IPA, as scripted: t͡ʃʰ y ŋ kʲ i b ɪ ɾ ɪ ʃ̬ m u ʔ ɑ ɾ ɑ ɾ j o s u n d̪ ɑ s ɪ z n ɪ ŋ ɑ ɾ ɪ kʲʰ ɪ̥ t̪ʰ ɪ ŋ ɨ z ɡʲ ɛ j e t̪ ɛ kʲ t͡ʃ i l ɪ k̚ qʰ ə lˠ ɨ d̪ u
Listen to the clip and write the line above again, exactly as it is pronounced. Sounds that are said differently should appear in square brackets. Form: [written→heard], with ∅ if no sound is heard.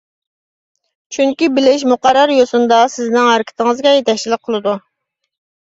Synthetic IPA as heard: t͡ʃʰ y ŋ kʲ i b ɪ [ɾ→l] ɪ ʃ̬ m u [ʔ→q] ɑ ɾ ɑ ɾ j o s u n d̪ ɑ s ɪ z n ɪ ŋ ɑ ɾ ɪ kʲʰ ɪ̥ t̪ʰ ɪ ŋ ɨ z ɡʲ ɛ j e t̪ ɛ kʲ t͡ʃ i l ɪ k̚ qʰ ə lˠ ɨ d̪ u